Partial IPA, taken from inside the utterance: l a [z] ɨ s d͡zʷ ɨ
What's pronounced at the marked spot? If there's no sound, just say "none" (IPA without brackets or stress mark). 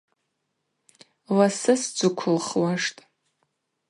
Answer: s